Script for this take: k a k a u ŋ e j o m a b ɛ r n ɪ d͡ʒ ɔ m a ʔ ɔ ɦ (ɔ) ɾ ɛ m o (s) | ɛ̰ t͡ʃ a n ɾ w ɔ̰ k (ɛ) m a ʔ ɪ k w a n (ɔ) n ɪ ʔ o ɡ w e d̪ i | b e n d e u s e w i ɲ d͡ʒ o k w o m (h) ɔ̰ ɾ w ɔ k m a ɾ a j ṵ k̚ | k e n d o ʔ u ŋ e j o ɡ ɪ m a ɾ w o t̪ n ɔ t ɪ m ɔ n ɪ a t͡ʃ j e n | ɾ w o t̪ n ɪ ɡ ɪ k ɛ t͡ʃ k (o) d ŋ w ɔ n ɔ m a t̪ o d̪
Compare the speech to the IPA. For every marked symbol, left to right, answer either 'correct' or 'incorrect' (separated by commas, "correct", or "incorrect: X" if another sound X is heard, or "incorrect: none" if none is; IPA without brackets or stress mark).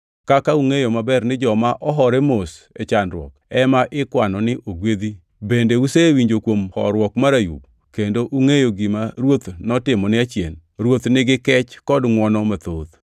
correct, correct, correct, correct, correct, incorrect: ɔ